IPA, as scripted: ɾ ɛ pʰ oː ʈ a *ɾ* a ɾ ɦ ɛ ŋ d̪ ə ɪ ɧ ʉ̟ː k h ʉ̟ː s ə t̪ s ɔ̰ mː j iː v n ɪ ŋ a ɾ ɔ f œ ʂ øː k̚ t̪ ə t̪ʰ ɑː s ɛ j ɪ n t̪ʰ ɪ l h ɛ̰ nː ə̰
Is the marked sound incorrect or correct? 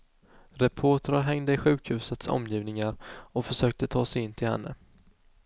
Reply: correct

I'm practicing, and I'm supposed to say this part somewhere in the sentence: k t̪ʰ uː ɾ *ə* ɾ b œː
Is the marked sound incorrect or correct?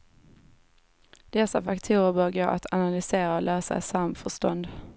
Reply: correct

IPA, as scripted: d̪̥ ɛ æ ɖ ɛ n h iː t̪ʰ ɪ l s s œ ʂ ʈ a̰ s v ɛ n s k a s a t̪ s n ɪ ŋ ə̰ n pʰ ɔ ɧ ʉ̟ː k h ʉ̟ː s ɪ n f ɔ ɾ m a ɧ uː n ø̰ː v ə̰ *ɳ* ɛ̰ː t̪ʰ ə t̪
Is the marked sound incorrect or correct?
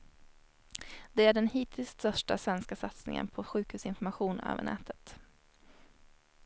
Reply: correct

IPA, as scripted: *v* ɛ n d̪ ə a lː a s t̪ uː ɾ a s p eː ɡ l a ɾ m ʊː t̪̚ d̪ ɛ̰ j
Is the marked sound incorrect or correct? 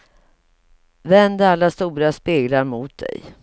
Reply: correct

